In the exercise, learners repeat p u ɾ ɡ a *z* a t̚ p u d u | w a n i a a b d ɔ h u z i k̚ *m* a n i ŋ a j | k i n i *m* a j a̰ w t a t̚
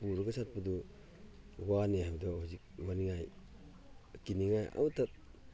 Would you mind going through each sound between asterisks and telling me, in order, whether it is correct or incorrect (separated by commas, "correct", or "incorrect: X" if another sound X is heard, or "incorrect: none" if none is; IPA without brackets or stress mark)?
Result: incorrect: s, correct, incorrect: ŋ